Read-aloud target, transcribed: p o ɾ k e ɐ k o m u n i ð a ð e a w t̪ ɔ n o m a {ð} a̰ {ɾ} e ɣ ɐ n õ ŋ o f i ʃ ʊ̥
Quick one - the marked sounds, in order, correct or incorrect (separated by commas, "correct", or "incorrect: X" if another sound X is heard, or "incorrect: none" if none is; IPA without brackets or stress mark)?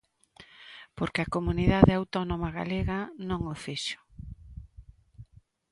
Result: incorrect: ɣ, incorrect: l